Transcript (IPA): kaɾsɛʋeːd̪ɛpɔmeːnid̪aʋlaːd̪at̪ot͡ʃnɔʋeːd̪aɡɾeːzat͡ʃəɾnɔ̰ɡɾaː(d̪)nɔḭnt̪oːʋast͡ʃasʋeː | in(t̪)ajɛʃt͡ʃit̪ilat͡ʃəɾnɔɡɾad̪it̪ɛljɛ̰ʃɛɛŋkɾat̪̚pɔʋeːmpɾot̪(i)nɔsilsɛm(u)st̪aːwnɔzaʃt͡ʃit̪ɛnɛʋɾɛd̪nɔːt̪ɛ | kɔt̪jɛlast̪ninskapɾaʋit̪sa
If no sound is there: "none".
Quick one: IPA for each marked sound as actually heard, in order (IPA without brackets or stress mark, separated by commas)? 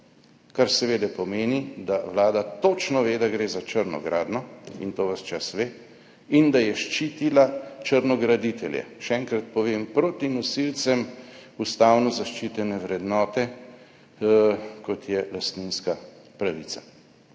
d̪, d̪, i, u